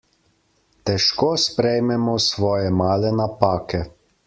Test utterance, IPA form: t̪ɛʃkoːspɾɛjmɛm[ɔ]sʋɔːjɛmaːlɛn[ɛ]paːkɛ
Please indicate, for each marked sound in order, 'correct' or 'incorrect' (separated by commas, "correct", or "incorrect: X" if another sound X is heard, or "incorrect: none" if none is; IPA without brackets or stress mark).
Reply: correct, incorrect: a